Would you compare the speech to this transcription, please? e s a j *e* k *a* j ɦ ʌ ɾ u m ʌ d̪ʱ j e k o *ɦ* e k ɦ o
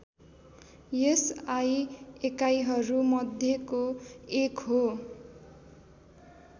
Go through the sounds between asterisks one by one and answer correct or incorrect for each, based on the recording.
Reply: correct, correct, incorrect: none

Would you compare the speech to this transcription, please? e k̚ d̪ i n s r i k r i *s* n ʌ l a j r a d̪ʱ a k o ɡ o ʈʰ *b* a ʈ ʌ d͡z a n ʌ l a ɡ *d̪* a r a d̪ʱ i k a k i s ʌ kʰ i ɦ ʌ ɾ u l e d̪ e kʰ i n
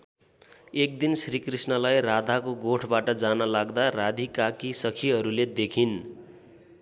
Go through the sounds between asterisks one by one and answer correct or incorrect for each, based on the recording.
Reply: correct, correct, correct

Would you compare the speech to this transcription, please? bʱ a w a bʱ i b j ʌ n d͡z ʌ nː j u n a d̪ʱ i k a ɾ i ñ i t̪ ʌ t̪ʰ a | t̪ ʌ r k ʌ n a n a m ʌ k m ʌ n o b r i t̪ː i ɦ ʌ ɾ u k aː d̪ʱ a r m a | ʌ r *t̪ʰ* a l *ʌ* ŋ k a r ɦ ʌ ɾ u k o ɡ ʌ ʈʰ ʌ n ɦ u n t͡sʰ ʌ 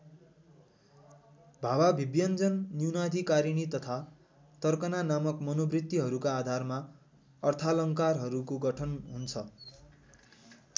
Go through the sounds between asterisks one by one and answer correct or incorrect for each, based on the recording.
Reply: correct, correct

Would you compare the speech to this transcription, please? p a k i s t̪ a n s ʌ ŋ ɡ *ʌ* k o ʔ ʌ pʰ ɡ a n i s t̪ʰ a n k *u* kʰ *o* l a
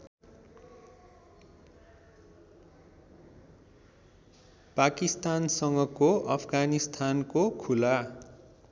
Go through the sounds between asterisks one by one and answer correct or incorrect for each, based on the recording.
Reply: correct, incorrect: o, incorrect: u

